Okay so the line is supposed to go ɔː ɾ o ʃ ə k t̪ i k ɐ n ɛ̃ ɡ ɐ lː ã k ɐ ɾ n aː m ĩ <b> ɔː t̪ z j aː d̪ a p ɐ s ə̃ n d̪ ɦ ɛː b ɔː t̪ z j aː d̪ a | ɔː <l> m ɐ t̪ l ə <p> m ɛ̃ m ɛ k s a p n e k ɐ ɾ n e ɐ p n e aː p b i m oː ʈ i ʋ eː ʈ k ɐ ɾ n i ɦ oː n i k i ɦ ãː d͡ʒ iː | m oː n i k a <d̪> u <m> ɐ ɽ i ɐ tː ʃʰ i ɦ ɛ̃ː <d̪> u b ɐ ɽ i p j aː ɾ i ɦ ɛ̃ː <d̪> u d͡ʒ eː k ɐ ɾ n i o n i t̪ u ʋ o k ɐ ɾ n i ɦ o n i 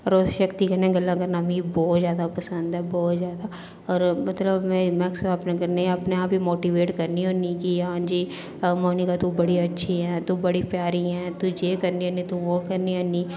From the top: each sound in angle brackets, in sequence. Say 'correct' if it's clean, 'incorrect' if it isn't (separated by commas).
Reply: correct, incorrect, incorrect, incorrect, incorrect, incorrect, incorrect